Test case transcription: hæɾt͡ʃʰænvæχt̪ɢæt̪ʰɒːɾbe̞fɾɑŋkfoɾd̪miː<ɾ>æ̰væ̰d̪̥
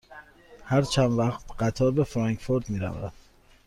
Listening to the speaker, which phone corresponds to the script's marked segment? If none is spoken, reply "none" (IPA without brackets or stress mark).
ɾ